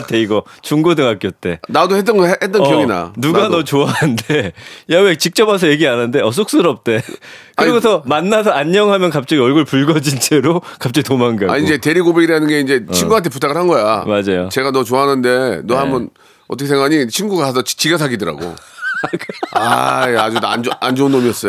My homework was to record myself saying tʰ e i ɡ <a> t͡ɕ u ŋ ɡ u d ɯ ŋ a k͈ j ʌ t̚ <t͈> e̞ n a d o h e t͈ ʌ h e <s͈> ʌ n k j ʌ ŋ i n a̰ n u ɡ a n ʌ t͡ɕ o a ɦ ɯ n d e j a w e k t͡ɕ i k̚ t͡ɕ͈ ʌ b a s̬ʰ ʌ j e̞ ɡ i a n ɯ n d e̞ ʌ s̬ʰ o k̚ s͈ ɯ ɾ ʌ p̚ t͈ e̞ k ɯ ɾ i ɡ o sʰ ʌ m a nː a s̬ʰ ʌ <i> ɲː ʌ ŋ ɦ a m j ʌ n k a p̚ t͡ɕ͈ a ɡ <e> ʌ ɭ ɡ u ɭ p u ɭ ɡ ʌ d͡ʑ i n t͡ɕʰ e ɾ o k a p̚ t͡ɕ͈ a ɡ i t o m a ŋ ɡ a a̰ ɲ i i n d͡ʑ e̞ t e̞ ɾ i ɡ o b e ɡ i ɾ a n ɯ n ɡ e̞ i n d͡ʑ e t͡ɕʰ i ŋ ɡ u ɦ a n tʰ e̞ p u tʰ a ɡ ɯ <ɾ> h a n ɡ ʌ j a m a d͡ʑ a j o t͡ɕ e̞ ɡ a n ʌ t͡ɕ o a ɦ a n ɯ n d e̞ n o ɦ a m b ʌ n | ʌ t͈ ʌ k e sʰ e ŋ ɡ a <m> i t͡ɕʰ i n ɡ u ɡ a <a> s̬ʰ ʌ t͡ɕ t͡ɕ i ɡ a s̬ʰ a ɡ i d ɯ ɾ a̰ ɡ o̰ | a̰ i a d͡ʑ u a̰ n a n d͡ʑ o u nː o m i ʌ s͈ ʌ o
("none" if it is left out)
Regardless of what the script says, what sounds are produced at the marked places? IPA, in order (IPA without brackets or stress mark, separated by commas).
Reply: ʌ, t͈, t͈, a, i, ɭ, ɲ, a